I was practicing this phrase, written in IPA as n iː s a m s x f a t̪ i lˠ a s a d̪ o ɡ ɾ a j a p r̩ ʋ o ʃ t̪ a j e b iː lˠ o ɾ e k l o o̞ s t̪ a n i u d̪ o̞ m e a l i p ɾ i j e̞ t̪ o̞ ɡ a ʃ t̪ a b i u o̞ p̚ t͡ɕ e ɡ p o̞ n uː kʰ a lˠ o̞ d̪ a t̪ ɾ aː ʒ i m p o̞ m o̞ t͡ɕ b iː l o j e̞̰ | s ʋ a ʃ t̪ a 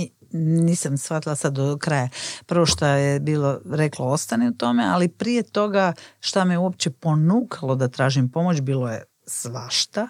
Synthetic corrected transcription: n iː s a m s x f a t̪ i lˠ a s a d̪ o k ɾ a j a p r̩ ʋ o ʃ t̪ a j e b iː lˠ o ɾ e k l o o̞ s t̪ a n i u t̪ o̞ m e a l i p ɾ i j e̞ t̪ o̞ ɡ a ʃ t̪ a m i u o̞ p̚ t͡ɕ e p o̞ n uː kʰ a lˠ o̞ d̪ a t̪ ɾ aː ʒ i m p o̞ m o̞ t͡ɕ b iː l o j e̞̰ | s ʋ a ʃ t̪ a